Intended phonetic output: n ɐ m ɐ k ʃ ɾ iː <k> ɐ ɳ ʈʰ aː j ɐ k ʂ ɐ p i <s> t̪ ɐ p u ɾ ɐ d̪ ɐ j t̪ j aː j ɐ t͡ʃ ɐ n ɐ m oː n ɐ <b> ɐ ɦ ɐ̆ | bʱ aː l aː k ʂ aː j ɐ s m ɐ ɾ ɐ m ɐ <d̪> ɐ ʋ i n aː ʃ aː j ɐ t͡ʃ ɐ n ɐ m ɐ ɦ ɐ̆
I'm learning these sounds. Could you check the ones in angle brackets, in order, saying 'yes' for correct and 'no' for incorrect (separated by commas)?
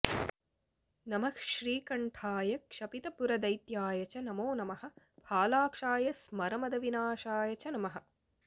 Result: yes, no, no, yes